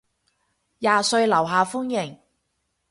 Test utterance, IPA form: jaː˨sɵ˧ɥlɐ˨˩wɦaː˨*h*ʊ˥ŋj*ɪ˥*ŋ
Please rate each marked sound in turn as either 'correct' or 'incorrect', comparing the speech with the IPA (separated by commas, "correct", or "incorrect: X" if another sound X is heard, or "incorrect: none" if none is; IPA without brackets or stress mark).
incorrect: f, incorrect: ɪ˨˩